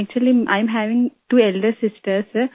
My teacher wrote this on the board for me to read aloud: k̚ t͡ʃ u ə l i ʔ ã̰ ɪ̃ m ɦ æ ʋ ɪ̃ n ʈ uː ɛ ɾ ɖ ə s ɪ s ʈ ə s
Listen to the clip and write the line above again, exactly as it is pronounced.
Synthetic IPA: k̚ t͡ʃ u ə l i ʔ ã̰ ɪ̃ m ɦ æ ʋ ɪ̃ ŋ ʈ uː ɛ l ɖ ə s ɪ s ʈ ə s

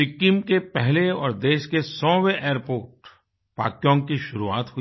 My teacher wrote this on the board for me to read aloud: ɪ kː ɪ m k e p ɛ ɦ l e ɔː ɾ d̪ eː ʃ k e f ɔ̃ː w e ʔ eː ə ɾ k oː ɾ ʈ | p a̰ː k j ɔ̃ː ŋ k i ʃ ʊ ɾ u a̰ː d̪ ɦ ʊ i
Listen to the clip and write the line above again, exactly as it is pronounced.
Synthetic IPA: ɪ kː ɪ m k e p ɛ ɦ l e ɔː ɾ d̪ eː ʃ k e s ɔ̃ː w e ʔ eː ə ɾ p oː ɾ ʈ | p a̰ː k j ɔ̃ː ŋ k i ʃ ʊ ɾ u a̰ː t̪ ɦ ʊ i

